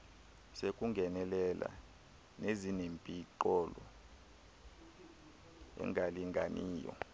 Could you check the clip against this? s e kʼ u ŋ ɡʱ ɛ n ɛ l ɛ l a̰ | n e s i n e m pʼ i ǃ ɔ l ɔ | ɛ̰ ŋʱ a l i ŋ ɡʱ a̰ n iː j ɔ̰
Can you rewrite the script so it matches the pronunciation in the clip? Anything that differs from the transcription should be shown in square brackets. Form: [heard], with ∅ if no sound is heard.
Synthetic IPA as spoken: s e kʼ u ŋ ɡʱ ɛ n ɛ l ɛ l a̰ | n e [z] i n e m pʼ i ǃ ɔ l ɔ | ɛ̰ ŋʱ a l i ŋ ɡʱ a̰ n iː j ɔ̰